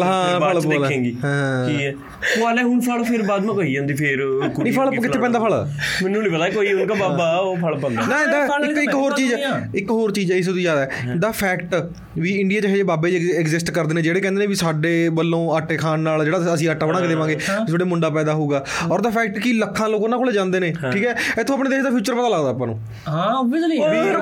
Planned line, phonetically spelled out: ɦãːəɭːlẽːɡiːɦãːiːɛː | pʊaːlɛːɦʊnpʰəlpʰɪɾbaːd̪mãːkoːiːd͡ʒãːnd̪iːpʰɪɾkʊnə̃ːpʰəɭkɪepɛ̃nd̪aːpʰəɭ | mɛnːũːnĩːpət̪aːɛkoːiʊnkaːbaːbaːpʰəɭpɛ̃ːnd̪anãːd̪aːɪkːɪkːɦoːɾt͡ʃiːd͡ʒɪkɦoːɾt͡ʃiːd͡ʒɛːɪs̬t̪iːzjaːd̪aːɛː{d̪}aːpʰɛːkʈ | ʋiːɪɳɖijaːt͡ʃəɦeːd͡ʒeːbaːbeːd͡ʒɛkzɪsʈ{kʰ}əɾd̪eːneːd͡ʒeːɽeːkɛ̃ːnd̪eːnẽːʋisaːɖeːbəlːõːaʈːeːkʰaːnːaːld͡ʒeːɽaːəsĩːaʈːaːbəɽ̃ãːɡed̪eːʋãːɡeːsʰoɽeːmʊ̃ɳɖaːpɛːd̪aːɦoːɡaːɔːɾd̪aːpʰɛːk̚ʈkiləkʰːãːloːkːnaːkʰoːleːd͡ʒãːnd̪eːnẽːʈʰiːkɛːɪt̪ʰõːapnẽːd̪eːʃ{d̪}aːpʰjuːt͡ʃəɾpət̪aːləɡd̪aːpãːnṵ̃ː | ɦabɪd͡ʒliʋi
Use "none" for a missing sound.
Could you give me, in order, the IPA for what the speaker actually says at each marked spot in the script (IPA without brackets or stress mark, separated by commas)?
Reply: d̪, k, d̪